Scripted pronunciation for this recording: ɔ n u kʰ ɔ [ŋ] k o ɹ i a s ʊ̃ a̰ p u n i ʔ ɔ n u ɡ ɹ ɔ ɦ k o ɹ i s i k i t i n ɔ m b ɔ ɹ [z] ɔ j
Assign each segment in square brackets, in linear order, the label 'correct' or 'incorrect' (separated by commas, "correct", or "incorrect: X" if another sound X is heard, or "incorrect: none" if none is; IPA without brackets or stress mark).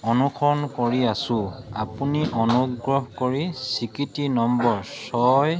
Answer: incorrect: n, incorrect: s